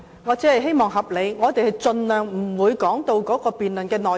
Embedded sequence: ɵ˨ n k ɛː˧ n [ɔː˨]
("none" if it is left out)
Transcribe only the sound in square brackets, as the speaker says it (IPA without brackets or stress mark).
ɔː˨